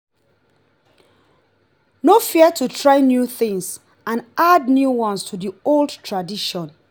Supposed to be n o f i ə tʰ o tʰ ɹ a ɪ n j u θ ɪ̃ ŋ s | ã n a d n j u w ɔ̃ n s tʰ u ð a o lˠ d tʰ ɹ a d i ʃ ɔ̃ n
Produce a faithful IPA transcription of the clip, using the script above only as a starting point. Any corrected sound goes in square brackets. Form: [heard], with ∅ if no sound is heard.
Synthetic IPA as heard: n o f i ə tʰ [u] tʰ ɹ a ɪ n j u θ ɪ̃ ŋ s | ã n a d n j u w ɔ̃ n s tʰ u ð [i] o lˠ d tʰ ɹ a d i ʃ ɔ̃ n